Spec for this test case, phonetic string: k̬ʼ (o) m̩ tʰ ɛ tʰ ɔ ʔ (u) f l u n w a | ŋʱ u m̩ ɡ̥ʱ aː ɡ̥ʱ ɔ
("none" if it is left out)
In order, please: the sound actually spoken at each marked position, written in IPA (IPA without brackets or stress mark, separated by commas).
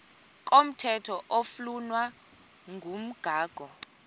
o, o